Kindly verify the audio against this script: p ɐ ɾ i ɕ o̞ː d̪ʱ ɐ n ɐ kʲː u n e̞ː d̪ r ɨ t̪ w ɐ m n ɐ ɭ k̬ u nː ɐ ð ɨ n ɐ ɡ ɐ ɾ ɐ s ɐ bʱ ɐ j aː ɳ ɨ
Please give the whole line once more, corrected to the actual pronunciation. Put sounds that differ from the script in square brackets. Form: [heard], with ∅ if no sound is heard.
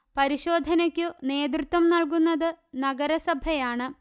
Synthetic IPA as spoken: p ɐ ɾ i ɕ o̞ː d̪ʱ ɐ n ɐ kʲː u n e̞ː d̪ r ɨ t̪ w ɐ m n ɐ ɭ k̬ u nː ɐ ð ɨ n ɐ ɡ ɐ ɾ ɐ s ɐ bʱ ɐ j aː ɳ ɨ